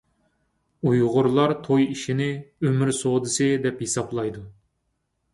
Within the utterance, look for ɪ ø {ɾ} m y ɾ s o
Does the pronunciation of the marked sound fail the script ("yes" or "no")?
yes